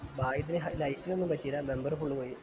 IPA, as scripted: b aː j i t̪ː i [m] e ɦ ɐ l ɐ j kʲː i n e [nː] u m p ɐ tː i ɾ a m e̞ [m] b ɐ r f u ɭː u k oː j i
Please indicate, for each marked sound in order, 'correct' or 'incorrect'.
incorrect, correct, correct

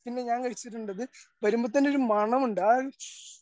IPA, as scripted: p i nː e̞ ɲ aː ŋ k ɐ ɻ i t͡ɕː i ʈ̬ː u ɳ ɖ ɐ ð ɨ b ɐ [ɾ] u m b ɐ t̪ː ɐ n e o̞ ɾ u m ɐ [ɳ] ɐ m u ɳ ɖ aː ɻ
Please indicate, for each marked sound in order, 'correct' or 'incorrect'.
correct, correct

